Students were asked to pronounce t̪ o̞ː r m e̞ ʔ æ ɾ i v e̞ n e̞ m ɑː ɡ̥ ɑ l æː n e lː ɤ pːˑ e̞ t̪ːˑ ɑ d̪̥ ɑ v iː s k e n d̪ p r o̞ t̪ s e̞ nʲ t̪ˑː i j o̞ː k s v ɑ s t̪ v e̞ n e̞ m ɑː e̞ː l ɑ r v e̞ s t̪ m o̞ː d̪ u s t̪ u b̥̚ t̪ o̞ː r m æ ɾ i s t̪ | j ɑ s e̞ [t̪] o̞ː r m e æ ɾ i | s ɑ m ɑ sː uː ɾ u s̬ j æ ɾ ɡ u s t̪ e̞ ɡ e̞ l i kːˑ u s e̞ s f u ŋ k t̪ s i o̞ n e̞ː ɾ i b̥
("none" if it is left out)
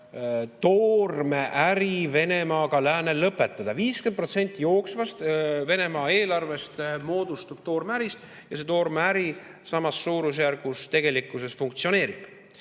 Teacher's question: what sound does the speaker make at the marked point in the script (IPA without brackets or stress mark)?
t̪